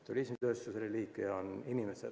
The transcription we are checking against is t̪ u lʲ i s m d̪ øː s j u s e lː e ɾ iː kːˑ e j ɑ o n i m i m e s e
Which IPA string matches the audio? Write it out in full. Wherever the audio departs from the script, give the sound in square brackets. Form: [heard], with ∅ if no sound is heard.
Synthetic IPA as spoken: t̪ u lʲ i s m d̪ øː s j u s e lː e [l] iː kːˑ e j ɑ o n i [n] i m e s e